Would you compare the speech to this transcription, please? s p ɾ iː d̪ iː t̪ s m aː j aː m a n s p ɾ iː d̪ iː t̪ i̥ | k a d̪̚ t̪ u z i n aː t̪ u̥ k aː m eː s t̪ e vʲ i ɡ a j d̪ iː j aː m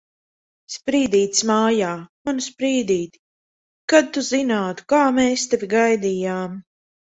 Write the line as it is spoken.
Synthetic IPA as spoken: s p ɾ iː d̪ iː t̪ s m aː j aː m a n s p ɾ iː d̪ iː t̪ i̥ | k a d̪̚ t̪ u z i n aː t̪ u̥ k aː m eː s t̪ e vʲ i ɡ a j d̪ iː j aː m